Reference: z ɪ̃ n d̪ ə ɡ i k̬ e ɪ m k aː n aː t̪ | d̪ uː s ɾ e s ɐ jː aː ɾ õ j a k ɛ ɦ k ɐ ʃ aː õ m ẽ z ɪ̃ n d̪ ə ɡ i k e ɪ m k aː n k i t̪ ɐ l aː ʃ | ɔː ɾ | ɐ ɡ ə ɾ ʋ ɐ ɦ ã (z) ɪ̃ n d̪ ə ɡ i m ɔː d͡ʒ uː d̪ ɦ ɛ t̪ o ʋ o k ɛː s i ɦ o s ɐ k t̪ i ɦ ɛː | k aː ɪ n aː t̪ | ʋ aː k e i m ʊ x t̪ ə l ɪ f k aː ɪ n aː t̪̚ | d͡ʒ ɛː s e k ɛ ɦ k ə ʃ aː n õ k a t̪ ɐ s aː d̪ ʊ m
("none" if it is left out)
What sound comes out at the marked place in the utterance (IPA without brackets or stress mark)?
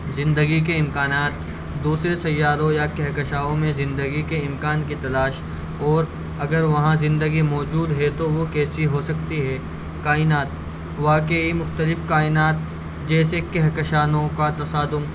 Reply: z